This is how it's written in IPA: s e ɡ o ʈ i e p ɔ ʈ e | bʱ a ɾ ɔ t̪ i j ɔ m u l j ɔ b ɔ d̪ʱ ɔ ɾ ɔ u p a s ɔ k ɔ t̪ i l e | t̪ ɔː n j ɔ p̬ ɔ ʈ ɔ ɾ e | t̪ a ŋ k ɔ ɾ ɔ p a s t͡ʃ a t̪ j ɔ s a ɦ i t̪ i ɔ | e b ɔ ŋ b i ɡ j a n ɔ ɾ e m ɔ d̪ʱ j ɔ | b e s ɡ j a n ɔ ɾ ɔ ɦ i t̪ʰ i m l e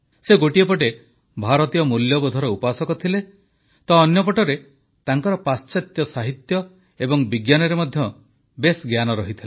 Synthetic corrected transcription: s e ɡ o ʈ i e p ɔ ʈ e | bʱ a ɾ ɔ t̪ i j ɔ m u l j ɔ b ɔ d̪ʱ ɔ ɾ ɔ u p a s ɔ k ɔ t̪ʰ i l e | t̪ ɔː n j ɔ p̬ ɔ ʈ ɔ ɾ e | t̪ a ŋ k ɔ ɾ ɔ p a s t͡ʃ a t̪ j ɔ s a ɦ i t̪ j ɔ | e b ɔ ŋ b i ɡ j a n ɔ ɾ e m ɔ d̪ʱ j ɔ | b e s ɡ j a n ɔ ɾ ɔ ɦ i t̪ʰ i l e